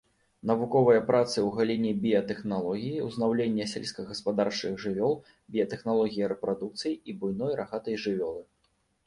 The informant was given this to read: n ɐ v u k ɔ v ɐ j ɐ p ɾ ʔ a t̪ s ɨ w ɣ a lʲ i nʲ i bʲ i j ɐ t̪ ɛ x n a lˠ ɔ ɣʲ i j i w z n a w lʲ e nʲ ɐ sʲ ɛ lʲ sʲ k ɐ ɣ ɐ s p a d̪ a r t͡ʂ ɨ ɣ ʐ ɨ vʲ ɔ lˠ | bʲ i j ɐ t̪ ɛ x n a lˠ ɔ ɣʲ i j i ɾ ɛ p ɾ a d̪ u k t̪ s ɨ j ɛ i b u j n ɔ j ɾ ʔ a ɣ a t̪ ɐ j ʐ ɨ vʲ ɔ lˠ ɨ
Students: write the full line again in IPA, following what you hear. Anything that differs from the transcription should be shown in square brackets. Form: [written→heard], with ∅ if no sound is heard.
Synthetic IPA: n ɐ v u k ɔ v ɐ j ɐ p ɾ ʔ a t̪ s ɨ w ɣ a lʲ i nʲ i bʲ i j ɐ t̪ ɛ x n a lˠ ɔ ɣʲ i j i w z n a w lʲ e [nʲ→nʲː] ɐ sʲ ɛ lʲ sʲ k ɐ ɣ ɐ s p a d̪ a r t͡ʂ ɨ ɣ ʐ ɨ vʲ ɔ lˠ | bʲ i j ɐ t̪ ɛ x n a lˠ ɔ ɣʲ i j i ɾ ɛ p ɾ a d̪ u k t̪ s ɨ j [ɛ→i] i b u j n ɔ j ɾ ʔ a ɣ a t̪ ɐ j ʐ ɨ vʲ ɔ lˠ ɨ

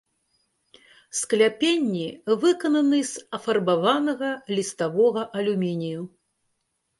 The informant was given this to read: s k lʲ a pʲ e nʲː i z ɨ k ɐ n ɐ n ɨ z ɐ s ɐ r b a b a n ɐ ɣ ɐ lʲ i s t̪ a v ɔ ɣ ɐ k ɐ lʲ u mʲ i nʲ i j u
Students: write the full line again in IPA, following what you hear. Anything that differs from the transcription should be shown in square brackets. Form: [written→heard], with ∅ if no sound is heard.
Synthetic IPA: s k lʲ a pʲ e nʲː i [z→v] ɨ k ɐ n ɐ n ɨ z ɐ [s→f] ɐ r b a [b→v] a n ɐ ɣ ɐ lʲ i s t̪ a v ɔ ɣ ɐ [k→ʔ] ɐ lʲ u mʲ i nʲ i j u

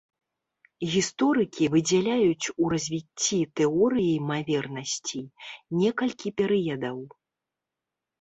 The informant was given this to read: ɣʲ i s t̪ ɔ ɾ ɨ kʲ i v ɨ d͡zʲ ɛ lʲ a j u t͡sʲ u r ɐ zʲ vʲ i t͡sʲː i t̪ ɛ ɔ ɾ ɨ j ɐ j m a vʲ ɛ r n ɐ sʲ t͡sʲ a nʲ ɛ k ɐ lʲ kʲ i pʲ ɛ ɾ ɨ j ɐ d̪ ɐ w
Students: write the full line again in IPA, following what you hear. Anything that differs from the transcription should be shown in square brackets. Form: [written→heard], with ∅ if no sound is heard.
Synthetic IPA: ɣʲ i s t̪ ɔ ɾ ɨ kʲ i v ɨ d͡zʲ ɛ lʲ a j u t͡sʲ u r ɐ zʲ vʲ i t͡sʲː i t̪ ɛ ɔ ɾ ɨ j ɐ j m a vʲ ɛ r n ɐ sʲ t͡sʲ [a→i] nʲ ɛ k ɐ lʲ kʲ i pʲ ɛ ɾ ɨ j ɐ d̪ ɐ w

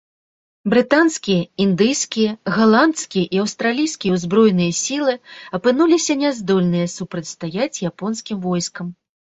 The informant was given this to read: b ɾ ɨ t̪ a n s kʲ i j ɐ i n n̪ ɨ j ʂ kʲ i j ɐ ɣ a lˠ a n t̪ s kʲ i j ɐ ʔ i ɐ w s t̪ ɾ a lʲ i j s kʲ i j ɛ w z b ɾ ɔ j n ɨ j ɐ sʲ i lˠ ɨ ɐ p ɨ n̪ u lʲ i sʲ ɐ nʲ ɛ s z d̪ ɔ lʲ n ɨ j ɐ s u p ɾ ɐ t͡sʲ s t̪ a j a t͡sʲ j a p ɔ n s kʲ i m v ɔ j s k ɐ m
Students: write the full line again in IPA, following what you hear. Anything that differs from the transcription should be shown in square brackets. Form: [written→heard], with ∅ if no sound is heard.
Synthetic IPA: b ɾ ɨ t̪ a n s kʲ i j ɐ i n [n̪→d̪] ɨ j [ʂ→s] kʲ i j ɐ ɣ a lˠ a n t̪ s kʲ i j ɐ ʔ i ɐ w s t̪ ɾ a lʲ i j s kʲ i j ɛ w z b ɾ ɔ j n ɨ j ɐ sʲ i lˠ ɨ ɐ p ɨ n̪ u lʲ i sʲ ɐ nʲ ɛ [s→∅] z d̪ ɔ lʲ n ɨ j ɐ s u p ɾ ɐ t͡sʲ s t̪ a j a t͡sʲ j a p ɔ n s kʲ i m v ɔ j s k ɐ m

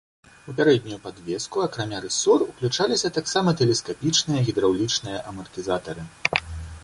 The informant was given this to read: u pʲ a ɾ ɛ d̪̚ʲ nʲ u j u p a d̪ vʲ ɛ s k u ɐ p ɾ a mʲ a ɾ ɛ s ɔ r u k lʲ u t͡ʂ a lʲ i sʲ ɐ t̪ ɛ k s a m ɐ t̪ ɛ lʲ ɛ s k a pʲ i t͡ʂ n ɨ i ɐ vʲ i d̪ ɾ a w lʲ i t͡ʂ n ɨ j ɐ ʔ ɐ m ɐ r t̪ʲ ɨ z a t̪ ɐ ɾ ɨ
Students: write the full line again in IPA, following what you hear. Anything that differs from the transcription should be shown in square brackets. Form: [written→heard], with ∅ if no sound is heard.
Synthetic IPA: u pʲ a ɾ ɛ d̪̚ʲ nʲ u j u p a d̪ vʲ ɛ s k u ɐ [p→k] ɾ a mʲ a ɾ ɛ s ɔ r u k lʲ u t͡ʂ a lʲ i sʲ ɐ t̪ [ɛ→a] k s a m ɐ t̪ ɛ lʲ ɛ s k a pʲ i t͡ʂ n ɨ [i→j] ɐ [vʲ→ɣʲ] i d̪ ɾ a w lʲ i t͡ʂ n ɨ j ɐ ʔ ɐ m ɐ r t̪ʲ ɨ z a t̪ ɐ ɾ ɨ

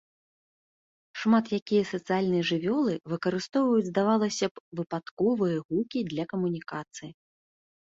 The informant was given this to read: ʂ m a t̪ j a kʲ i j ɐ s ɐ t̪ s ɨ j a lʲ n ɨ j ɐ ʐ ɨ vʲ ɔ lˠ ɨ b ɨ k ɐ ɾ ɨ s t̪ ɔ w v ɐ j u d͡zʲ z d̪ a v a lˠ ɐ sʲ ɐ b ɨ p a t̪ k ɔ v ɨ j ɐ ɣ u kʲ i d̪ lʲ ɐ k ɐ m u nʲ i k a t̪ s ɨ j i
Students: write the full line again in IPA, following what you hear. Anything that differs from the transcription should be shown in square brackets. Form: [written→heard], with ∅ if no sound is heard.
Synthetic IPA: ʂ m a t̪ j a kʲ i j ɐ s ɐ t̪ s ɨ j a lʲ n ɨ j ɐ ʐ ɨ vʲ ɔ lˠ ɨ [b→v] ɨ k ɐ ɾ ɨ s t̪ ɔ w v ɐ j u d͡zʲ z d̪ a v a lˠ ɐ sʲ ɐ [b→v] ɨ p a t̪ k ɔ v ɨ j ɐ ɣ u kʲ i d̪ lʲ ɐ k ɐ m u nʲ i k a t̪ s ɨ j i

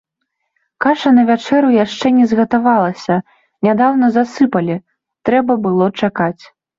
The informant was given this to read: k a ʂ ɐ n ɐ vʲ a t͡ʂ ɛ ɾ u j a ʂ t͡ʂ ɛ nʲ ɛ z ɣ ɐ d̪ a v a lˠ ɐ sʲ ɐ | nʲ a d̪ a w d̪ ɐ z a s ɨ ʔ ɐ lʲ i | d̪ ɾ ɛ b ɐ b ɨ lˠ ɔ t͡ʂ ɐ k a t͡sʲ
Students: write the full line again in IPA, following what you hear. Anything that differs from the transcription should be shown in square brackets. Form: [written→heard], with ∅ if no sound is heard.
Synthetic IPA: k a ʂ ɐ n ɐ vʲ a t͡ʂ ɛ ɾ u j a ʂ t͡ʂ ɛ nʲ ɛ z ɣ ɐ [d̪→t̪] a v a lˠ ɐ sʲ ɐ | nʲ a d̪ a w [d̪→n̪] ɐ z a s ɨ [ʔ→p] ɐ lʲ i | [d̪→t̪] ɾ ɛ b ɐ b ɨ lˠ ɔ t͡ʂ [ɐ→a] k a t͡sʲ

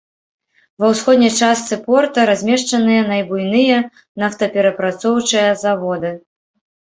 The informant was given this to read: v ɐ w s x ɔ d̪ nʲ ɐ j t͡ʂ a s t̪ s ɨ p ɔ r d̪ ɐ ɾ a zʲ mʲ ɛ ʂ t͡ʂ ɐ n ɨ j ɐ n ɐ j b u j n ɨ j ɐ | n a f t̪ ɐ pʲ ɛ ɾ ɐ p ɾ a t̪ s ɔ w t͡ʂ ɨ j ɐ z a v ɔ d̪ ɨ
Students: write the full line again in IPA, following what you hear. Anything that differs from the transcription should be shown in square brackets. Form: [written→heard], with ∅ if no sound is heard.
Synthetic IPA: v ɐ w s x ɔ d̪ nʲ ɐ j t͡ʂ a s t̪ s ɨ p ɔ r [d̪→t̪] ɐ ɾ a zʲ mʲ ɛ ʂ t͡ʂ ɐ n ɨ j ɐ n ɐ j b u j n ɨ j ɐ | n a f t̪ ɐ pʲ ɛ ɾ ɐ p ɾ a t̪ s ɔ w t͡ʂ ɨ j ɐ z a v ɔ d̪ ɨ

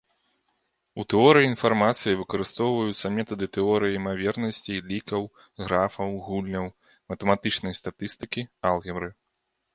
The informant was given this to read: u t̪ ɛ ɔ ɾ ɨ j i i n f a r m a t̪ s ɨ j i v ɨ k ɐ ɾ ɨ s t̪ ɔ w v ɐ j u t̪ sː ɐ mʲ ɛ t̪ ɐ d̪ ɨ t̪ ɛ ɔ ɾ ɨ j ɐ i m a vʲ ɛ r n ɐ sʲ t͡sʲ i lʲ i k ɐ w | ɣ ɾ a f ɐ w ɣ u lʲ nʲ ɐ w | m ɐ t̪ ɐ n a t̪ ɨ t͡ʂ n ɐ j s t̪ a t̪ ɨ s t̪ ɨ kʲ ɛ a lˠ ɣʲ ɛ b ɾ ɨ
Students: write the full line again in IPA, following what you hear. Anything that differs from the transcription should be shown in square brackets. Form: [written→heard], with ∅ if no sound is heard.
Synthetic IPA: u t̪ ɛ ɔ ɾ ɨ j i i n f a r m a t̪ s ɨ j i v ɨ k ɐ ɾ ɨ s t̪ ɔ w v ɐ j u t̪ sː ɐ mʲ ɛ t̪ ɐ d̪ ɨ t̪ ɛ ɔ ɾ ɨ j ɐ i m a vʲ ɛ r n ɐ sʲ t͡sʲ i lʲ i k ɐ w | ɣ ɾ a f ɐ w ɣ u lʲ nʲ ɐ w | m ɐ t̪ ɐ [n→m] a t̪ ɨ t͡ʂ n ɐ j s t̪ a t̪ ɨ s t̪ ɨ kʲ [ɛ→i] a lˠ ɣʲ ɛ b ɾ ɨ

